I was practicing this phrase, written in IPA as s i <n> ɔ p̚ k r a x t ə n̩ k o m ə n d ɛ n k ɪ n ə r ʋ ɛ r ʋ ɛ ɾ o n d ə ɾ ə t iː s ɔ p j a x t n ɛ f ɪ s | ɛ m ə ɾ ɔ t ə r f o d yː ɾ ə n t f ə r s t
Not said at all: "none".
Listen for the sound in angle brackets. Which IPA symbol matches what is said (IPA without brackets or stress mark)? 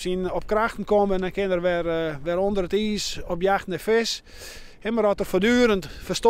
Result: n